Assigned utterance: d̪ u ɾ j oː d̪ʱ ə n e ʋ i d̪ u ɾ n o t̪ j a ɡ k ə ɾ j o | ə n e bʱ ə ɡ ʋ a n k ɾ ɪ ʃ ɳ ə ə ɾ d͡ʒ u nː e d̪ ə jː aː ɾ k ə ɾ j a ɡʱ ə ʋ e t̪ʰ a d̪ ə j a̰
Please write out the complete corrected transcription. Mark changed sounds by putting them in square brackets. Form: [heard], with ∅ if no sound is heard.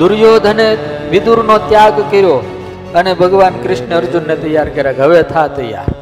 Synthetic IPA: d̪ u ɾ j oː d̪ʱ ə n e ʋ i d̪ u ɾ n o t̪ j a ɡ k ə ɾ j o | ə n e bʱ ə ɡ ʋ a n k ɾ ɪ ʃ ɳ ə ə ɾ d͡ʒ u nː e [t̪] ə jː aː ɾ k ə ɾ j a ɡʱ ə ʋ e t̪ʰ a [t̪] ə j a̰